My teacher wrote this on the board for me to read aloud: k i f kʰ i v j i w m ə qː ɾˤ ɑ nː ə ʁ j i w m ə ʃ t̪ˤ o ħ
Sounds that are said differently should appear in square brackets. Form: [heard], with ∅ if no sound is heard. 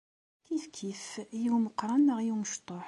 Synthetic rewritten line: k i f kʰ i [f] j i w m ə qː ɾˤ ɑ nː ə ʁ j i w m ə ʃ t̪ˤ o ħ